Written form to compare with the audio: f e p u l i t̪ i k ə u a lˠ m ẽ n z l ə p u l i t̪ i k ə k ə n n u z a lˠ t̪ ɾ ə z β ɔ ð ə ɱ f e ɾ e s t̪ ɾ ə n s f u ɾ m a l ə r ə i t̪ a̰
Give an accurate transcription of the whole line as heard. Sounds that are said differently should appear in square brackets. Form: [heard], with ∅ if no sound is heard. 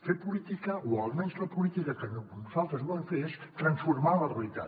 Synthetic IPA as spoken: f e p u l i t̪ i k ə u a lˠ m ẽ n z l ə p u l i t̪ i k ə k ə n n u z a lˠ t̪ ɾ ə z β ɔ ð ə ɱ f e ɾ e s t̪ ɾ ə n s f u ɾ m a l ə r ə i t̪ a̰